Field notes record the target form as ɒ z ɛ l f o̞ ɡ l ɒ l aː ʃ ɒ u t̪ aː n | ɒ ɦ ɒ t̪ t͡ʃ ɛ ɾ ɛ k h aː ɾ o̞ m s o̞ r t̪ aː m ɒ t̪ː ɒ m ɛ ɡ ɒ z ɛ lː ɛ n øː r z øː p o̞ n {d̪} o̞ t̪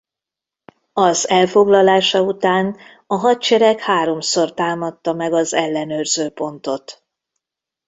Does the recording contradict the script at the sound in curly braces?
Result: yes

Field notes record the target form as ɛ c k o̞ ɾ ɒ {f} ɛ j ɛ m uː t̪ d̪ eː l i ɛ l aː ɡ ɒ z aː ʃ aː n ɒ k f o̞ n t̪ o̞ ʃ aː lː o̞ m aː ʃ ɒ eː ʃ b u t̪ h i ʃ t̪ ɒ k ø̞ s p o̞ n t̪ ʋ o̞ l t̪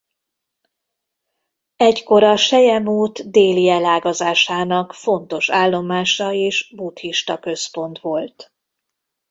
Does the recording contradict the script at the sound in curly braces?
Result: yes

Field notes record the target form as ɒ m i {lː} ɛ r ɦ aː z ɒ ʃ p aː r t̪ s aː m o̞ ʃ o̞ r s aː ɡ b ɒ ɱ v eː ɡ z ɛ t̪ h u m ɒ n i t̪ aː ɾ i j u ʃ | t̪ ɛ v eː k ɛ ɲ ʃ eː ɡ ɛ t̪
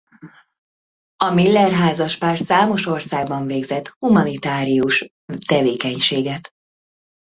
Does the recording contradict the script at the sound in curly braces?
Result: no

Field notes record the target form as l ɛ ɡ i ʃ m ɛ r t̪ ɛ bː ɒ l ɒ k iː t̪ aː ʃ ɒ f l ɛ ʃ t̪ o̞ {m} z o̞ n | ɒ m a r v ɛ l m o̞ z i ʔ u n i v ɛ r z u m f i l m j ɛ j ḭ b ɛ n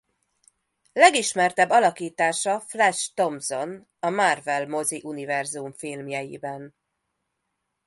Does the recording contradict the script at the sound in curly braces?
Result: no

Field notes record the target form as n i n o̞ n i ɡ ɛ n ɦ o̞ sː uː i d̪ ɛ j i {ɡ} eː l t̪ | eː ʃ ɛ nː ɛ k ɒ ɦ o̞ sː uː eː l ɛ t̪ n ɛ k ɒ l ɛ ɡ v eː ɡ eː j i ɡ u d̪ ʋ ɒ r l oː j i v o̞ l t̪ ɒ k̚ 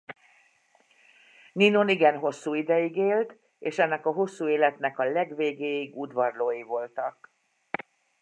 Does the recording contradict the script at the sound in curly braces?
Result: no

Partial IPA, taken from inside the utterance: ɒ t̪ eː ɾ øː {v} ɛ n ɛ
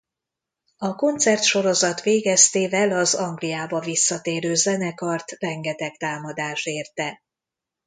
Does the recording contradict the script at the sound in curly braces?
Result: yes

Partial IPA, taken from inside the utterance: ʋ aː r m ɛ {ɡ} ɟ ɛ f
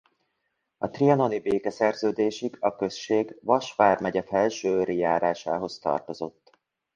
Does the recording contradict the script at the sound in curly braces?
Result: yes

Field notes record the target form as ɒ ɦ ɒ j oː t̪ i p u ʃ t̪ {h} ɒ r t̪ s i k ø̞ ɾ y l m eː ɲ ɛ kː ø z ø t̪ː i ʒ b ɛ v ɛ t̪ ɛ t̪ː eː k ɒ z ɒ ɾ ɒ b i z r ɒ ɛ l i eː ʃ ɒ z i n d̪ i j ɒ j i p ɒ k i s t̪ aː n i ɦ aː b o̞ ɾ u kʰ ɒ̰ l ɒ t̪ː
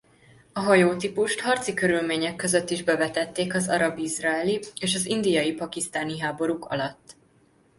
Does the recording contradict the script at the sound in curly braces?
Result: no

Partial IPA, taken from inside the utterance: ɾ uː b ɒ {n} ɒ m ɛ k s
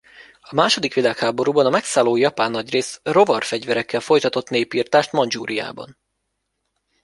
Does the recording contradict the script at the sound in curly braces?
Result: no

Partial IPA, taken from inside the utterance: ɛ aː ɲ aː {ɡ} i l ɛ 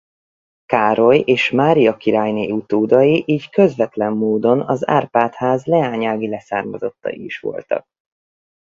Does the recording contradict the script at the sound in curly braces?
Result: no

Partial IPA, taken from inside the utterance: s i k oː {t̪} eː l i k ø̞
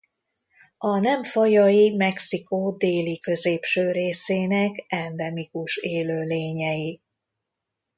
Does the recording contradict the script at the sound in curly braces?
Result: yes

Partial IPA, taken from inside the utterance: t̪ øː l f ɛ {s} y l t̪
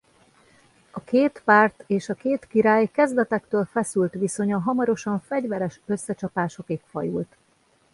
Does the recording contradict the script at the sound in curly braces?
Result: no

